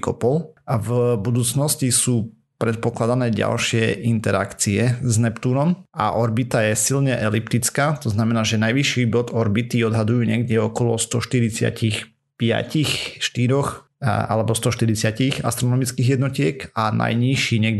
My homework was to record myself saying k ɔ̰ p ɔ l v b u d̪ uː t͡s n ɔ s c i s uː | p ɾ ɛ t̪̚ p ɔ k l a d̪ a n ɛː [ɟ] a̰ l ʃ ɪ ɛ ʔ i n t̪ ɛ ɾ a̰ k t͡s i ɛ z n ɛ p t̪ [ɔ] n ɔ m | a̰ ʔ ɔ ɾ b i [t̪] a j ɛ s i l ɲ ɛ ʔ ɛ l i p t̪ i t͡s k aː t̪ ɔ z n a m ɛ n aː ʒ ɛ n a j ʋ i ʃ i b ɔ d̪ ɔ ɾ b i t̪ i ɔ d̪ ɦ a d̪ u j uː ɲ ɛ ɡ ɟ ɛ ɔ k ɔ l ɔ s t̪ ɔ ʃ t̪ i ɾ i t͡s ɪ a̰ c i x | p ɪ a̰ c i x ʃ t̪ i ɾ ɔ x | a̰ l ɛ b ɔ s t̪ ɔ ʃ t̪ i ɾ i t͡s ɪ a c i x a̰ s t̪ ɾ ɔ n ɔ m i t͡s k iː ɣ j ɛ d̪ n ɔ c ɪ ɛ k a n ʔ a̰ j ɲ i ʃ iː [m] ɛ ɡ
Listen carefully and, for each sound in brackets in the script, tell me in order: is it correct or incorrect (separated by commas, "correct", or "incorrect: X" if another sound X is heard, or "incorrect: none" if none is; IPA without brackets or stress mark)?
correct, incorrect: u, correct, incorrect: ɲ